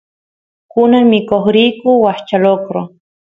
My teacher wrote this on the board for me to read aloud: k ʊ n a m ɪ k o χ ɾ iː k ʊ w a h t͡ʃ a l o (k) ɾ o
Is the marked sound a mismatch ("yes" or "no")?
no